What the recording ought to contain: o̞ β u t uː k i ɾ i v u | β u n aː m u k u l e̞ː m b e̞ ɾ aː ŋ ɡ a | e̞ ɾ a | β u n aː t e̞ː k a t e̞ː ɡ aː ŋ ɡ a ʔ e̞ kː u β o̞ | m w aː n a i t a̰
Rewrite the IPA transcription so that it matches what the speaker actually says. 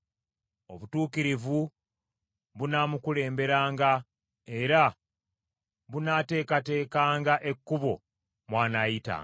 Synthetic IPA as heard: o̞ β u t uː k i ɾ i v u | β u n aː m u k u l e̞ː m b e̞ ɾ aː ŋ ɡ a | e̞ ɾ a | β u n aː t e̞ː k a t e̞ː k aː ŋ ɡ a ʔ e̞ kː u β o̞ | m w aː n a i t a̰